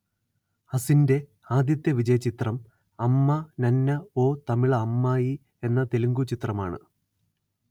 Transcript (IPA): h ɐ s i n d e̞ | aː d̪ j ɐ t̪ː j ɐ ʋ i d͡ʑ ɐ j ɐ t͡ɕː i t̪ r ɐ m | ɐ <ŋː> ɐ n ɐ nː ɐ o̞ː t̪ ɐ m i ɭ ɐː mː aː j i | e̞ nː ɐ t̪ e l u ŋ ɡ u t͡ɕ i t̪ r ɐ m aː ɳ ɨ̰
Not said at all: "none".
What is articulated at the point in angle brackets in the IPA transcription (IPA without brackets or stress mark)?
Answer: mː